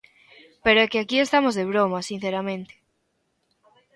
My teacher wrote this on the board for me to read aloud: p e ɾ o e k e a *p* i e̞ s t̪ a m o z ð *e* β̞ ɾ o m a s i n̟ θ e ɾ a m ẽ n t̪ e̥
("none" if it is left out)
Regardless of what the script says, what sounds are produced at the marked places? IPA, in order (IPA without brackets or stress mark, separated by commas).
k, e